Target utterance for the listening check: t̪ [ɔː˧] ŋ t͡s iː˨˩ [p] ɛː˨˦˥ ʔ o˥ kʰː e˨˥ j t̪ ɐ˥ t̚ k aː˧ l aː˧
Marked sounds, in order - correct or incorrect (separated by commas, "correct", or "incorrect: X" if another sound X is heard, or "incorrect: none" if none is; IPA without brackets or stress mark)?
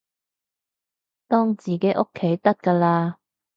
incorrect: ɔː˥, incorrect: k